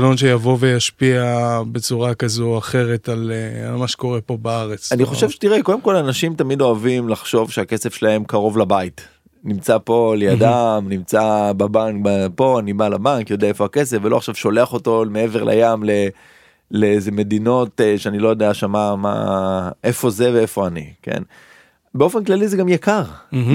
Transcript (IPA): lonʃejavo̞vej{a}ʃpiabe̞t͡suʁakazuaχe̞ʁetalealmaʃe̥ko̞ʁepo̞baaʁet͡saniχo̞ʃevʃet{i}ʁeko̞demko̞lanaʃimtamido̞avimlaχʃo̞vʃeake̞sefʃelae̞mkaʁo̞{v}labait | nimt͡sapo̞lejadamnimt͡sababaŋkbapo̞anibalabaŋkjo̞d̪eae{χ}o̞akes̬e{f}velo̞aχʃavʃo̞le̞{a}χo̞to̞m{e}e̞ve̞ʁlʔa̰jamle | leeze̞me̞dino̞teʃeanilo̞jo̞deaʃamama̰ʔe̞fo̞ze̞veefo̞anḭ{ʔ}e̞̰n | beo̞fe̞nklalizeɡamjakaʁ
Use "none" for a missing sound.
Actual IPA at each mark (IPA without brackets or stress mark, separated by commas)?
a, i, v, f, f, a, e, k